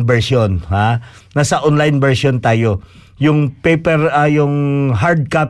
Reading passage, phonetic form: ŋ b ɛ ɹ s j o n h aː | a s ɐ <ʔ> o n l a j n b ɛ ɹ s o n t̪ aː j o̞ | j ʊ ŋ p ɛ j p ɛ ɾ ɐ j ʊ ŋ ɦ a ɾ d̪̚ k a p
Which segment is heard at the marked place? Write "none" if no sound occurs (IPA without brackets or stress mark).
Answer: ʔ